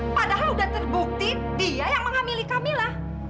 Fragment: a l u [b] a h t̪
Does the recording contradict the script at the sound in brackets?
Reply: yes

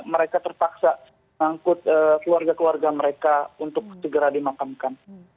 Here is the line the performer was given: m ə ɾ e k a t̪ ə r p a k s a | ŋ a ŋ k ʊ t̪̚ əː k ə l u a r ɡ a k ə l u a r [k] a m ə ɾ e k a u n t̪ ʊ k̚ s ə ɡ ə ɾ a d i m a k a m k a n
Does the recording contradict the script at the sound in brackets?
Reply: yes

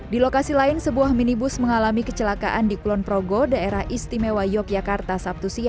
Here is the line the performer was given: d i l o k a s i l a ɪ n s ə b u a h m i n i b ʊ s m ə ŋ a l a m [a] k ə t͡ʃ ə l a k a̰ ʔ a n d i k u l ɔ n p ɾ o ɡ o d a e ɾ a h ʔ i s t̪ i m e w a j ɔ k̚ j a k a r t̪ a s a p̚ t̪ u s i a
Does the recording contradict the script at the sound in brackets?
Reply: yes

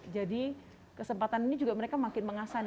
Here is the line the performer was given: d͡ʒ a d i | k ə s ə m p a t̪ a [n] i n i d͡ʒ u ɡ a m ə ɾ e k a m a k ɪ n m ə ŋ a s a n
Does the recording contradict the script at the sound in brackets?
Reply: no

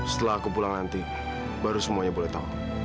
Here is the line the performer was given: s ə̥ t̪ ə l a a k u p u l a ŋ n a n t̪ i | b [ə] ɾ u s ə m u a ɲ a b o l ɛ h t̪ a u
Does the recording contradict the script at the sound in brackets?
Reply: yes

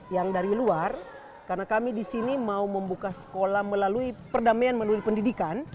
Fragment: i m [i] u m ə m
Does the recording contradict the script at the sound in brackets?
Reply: yes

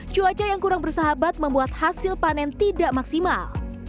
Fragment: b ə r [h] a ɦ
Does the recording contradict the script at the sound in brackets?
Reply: yes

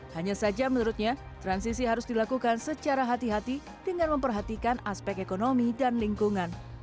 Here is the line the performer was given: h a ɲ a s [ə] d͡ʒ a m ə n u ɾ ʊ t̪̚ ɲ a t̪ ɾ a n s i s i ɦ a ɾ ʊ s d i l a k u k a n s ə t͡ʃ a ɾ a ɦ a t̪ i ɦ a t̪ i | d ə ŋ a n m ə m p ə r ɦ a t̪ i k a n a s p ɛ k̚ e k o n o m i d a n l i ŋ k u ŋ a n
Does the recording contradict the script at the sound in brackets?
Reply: yes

